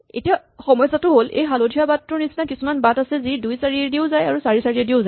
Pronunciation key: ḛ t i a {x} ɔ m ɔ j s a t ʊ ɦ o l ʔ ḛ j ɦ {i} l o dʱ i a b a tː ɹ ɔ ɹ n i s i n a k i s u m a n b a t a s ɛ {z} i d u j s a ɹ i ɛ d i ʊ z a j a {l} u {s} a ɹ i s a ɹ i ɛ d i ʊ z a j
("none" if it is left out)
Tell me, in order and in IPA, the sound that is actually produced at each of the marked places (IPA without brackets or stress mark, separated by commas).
x, a, z, ɹ, s